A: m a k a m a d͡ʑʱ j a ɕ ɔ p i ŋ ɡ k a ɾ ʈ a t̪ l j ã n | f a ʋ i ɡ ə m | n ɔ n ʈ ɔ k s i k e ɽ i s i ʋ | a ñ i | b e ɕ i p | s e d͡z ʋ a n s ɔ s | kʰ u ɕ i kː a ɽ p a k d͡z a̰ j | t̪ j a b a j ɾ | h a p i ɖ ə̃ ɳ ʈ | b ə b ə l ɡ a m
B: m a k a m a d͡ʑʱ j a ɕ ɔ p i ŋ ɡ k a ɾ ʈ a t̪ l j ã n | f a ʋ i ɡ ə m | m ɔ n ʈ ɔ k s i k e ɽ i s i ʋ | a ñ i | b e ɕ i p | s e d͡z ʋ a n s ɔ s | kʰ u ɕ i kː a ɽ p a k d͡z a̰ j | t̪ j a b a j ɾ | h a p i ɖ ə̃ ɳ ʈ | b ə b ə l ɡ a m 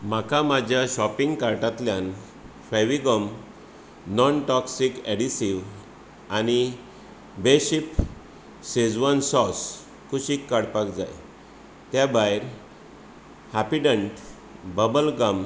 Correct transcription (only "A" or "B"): A